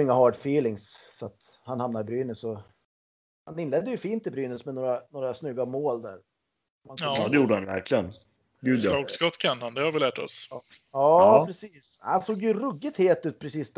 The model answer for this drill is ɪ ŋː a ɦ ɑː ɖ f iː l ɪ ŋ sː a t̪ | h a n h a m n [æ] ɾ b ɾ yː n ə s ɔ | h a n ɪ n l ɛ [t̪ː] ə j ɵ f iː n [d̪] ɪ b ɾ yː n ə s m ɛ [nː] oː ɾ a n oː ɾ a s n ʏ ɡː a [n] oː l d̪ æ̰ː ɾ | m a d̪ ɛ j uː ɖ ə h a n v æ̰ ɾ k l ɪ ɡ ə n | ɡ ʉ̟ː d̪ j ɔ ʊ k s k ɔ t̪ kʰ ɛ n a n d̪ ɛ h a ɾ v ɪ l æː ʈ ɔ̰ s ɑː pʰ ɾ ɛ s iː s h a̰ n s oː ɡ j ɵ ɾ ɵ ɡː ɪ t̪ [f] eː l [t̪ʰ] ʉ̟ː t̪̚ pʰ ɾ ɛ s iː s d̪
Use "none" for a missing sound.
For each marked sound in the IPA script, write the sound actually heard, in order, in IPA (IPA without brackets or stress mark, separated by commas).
a, d̪ː, t̪, n, m, h, t̪